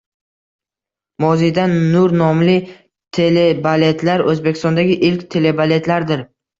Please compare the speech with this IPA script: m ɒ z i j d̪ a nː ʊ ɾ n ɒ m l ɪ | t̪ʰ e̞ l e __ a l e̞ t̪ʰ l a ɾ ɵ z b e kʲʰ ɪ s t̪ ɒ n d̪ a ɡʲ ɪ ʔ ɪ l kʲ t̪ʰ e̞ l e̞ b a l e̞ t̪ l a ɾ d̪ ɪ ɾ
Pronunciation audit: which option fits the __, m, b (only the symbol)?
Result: b